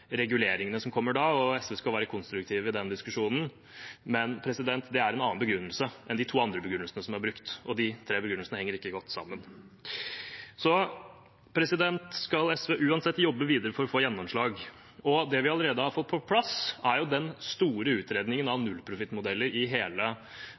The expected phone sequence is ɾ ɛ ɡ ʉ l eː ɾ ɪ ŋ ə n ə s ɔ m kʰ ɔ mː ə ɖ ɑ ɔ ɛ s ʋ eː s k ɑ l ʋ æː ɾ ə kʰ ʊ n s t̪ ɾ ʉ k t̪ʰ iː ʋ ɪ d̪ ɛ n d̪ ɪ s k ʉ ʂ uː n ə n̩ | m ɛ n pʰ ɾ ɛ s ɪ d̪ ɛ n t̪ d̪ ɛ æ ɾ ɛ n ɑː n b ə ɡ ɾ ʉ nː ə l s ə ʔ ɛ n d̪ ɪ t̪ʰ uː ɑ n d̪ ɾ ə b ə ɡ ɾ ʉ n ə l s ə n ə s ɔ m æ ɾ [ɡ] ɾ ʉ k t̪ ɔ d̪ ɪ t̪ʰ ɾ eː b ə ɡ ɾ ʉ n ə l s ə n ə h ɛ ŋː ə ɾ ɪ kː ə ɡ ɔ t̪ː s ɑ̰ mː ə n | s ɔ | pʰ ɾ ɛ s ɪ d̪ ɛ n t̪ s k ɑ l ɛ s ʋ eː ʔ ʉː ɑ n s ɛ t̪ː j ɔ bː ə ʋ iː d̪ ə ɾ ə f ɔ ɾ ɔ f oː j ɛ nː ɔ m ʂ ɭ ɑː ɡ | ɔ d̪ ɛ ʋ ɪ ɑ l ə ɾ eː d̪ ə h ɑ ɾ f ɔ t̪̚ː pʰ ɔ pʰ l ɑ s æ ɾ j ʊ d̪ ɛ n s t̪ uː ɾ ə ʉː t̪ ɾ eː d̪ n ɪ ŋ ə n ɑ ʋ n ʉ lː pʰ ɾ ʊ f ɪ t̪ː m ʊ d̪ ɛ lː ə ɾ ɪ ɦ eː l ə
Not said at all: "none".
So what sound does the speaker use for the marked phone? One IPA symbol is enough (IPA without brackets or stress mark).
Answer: b